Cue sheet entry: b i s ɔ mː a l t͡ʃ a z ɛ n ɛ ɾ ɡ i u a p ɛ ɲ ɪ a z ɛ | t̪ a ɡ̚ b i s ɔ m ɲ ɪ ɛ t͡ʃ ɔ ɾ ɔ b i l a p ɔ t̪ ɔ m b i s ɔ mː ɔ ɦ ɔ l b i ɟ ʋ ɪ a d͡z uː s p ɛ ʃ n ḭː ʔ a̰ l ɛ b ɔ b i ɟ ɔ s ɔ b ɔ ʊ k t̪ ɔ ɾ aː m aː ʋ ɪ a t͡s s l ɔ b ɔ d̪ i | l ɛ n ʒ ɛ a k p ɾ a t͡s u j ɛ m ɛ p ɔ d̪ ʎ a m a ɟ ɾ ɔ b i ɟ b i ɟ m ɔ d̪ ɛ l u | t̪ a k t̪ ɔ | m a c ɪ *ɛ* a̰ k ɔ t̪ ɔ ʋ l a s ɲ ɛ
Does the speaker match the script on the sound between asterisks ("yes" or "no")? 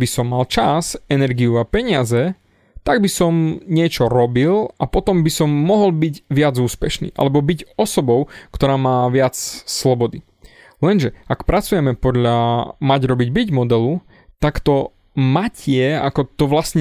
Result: yes